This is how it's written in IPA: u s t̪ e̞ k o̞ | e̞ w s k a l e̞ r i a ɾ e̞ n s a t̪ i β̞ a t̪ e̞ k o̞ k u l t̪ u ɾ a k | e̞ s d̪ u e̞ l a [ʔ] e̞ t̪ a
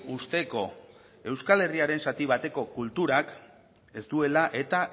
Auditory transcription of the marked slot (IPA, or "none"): ʔ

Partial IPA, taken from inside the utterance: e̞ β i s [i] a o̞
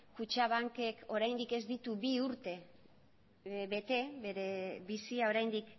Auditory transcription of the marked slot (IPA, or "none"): i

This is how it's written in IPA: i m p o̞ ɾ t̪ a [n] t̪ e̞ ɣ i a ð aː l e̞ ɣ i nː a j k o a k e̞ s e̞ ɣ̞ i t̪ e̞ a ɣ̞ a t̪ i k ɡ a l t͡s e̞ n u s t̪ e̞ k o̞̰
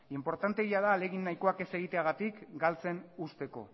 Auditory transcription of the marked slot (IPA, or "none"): n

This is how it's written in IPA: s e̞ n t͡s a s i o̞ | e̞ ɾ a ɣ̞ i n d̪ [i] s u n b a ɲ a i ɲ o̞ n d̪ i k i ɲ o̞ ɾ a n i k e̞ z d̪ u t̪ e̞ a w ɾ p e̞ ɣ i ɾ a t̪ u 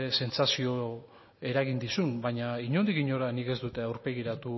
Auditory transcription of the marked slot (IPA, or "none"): i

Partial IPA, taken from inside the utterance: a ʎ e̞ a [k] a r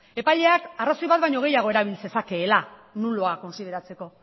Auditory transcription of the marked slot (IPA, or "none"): k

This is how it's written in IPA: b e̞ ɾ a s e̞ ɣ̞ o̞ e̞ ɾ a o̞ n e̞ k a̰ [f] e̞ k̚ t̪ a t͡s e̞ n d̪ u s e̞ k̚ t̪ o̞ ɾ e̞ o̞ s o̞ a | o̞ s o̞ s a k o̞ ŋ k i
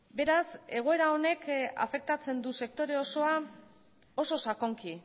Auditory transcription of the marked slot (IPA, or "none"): f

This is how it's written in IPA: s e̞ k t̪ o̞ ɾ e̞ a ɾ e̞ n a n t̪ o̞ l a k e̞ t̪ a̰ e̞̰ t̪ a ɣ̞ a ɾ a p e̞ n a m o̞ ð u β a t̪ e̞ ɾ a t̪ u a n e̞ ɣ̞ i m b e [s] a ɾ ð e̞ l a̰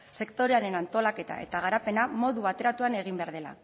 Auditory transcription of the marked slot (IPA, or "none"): none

